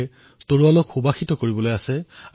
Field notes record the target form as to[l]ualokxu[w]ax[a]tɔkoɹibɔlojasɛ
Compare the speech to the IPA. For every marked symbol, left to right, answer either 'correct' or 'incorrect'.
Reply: incorrect: ɹ, incorrect: b, incorrect: i

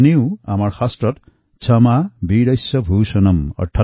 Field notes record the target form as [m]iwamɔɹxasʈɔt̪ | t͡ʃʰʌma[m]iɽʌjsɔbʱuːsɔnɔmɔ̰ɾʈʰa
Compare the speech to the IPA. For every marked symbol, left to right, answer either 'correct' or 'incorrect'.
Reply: incorrect: n, incorrect: b

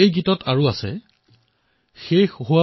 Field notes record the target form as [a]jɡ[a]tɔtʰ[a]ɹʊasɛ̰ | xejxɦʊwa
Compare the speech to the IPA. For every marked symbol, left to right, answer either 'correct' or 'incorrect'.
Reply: incorrect: e, incorrect: i, correct

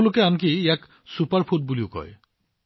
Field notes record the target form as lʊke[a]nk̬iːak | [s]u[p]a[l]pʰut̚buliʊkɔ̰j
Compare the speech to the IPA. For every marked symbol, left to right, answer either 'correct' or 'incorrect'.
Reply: correct, correct, correct, incorrect: ɹ

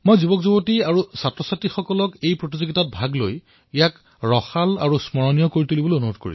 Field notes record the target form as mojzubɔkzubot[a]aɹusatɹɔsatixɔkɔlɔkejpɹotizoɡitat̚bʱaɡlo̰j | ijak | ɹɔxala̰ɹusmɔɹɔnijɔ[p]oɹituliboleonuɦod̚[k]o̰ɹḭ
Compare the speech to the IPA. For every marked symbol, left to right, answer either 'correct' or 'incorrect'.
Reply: incorrect: i, incorrect: k, correct

